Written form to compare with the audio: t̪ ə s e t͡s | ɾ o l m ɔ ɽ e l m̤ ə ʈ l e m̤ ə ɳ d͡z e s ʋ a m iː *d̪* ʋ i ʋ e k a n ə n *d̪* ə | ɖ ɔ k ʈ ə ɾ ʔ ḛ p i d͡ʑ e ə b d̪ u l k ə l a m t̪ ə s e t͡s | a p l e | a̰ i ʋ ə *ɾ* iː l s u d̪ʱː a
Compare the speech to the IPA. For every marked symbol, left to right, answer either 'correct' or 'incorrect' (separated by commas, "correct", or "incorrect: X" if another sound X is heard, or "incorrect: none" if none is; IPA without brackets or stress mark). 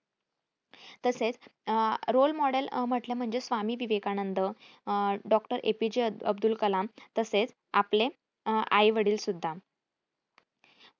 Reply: incorrect: none, correct, incorrect: ɽ